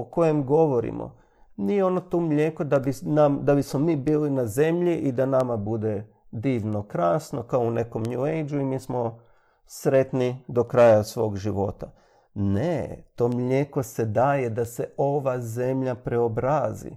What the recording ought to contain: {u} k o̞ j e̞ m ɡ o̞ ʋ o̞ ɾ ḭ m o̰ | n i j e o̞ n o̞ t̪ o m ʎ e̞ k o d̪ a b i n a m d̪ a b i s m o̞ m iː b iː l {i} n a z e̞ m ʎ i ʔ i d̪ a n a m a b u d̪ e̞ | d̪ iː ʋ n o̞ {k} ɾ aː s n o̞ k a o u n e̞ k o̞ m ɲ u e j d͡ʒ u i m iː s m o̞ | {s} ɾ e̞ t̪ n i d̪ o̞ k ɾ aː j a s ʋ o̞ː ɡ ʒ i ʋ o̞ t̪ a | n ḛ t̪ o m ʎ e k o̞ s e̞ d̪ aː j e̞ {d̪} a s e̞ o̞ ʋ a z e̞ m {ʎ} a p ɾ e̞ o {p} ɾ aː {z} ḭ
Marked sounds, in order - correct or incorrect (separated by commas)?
incorrect, correct, correct, correct, correct, correct, incorrect, correct